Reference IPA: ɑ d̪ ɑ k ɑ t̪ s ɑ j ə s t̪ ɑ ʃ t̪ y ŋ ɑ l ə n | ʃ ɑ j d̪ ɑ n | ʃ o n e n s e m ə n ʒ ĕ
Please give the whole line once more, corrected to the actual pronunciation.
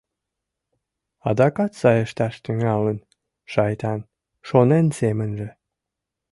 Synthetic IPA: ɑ d̪ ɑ k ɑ t̪ s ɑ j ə ʃ t̪ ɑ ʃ t̪ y ŋ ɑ l ə n | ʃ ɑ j t̪ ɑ n | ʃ o n e n s e m ə n ʒ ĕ